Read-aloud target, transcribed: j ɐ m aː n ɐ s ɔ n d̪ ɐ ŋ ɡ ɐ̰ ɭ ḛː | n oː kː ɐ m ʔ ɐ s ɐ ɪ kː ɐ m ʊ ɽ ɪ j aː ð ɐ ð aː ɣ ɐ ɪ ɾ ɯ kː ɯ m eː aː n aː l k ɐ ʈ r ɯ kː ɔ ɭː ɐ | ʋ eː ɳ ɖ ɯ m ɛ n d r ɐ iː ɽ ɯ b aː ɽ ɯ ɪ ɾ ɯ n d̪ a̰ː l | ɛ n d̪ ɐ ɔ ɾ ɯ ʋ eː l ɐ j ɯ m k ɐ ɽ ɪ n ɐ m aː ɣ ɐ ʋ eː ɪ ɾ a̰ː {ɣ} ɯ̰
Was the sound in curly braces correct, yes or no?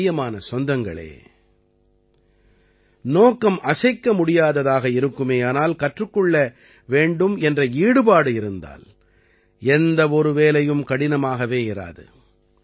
no